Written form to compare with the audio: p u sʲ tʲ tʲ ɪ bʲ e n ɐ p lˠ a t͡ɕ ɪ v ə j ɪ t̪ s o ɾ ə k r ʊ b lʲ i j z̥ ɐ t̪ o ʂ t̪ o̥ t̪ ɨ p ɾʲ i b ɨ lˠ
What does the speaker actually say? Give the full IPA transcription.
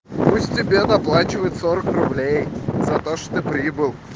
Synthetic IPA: p u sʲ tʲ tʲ ɪ bʲ e n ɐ p lˠ a t͡ɕ ɪ v ə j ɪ t̪ s o ɾ ə k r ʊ b lʲ e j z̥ ɐ t̪ o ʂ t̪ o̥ t̪ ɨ p ɾʲ i b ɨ lˠ